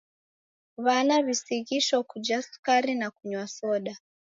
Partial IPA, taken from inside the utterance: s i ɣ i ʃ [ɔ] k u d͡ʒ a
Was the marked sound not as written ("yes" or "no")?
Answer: no